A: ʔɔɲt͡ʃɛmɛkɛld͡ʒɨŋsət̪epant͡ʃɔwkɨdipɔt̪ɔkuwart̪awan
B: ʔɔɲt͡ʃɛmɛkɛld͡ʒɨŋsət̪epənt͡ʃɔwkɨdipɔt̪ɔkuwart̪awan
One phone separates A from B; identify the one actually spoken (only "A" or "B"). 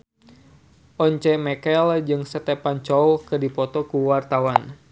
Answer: A